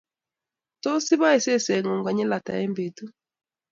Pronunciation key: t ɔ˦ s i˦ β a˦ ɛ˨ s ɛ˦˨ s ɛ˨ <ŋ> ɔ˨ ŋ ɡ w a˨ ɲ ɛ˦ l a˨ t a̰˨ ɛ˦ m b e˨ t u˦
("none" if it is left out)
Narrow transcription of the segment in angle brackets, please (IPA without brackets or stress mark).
ŋ